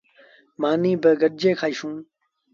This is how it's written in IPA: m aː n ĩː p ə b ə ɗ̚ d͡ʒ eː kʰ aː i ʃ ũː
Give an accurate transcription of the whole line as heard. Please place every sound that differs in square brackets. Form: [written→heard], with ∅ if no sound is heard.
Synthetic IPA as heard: m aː n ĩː [p→b] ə [b→ɡ] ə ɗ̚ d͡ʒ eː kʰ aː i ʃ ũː